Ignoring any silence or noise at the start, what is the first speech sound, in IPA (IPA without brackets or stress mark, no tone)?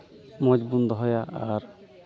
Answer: m